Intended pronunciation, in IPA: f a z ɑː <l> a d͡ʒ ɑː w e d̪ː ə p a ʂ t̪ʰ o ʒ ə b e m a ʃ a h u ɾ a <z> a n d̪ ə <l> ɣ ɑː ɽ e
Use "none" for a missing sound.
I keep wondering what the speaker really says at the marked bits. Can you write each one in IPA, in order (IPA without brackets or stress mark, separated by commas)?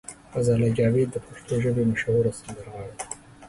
l, s, ɾ